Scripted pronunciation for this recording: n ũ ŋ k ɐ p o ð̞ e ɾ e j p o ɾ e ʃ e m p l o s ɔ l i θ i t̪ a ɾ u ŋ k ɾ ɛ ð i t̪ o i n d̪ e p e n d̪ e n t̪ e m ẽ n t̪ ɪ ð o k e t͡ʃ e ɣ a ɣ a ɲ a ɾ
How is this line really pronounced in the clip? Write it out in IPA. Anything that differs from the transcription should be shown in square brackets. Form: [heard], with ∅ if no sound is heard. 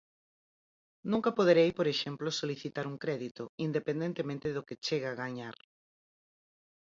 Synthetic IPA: n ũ ŋ k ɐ p o ð̞ e ɾ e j p o ɾ e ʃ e m p l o s [o] l i θ i t̪ a ɾ u ŋ k ɾ ɛ ð i t̪ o i n d̪ e p e n d̪ e n t̪ e m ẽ n t̪ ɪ ð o k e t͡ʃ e ɣ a ɣ a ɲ a ɾ